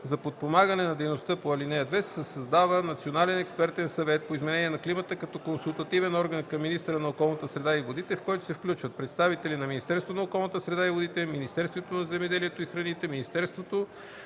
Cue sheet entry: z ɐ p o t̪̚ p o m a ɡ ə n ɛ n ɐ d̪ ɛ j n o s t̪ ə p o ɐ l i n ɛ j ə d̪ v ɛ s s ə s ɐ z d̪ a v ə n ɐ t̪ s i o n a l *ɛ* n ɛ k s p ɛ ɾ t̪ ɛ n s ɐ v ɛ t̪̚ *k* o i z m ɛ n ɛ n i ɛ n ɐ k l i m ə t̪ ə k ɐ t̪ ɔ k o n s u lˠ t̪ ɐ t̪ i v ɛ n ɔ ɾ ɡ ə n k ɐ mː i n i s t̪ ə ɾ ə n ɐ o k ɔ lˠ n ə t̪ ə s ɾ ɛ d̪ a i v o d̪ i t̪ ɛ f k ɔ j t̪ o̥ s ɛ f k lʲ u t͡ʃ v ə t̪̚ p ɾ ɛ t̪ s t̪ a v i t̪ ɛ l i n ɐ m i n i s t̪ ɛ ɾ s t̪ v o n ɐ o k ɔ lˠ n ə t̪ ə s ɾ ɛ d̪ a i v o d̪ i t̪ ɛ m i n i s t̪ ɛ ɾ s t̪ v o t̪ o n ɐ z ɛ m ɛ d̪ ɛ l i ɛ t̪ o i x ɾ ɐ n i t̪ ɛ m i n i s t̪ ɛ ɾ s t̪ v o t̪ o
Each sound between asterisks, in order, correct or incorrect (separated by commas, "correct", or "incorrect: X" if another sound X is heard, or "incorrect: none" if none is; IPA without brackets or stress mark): correct, incorrect: p